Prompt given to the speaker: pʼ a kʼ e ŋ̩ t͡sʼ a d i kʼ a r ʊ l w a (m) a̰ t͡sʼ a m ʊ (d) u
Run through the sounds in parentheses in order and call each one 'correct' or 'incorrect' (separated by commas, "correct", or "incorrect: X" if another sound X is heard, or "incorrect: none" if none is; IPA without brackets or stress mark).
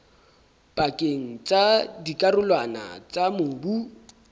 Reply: incorrect: n, incorrect: b